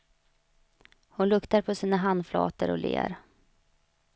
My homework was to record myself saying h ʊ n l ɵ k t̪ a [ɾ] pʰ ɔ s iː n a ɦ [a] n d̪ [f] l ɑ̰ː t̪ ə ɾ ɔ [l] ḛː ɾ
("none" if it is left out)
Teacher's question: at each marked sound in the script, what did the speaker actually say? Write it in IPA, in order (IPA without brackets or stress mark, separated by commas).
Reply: ɾ, a, f, l